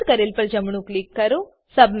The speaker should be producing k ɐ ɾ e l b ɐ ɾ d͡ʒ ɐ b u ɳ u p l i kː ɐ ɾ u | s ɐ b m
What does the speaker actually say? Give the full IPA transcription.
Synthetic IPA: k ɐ ɾ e l p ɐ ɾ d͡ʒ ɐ m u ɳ u k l i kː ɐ ɾ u | s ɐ b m